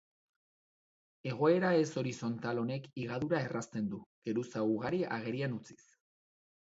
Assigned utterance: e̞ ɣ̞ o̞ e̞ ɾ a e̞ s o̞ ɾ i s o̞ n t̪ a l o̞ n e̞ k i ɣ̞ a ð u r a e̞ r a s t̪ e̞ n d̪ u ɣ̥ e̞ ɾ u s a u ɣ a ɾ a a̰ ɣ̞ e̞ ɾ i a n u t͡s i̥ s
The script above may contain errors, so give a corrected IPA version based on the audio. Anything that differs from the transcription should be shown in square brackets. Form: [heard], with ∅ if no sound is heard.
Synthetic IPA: e̞ ɣ̞ o̞ e̞ ɾ a e̞ s o̞ ɾ i s o̞ n t̪ a l o̞ n e̞ k i ɣ̞ a ð u [ɾ] a e̞ r a s t̪ e̞ n d̪ u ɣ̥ e̞ ɾ u s a u ɣ a ɾ [i] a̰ ɣ̞ e̞ ɾ i a n u t͡s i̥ s